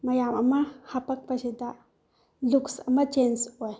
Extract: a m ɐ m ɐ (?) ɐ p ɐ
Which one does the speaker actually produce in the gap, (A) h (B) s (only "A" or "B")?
A